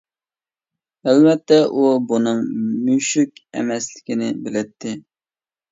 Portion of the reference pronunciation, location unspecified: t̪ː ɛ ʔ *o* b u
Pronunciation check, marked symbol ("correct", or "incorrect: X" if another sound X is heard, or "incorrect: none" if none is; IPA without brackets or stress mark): incorrect: u